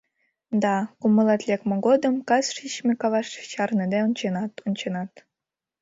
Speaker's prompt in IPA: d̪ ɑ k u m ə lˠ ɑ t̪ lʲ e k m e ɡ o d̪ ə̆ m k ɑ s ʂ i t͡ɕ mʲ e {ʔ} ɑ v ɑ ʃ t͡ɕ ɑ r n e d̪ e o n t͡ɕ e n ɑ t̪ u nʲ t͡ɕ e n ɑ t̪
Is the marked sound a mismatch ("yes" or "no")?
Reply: yes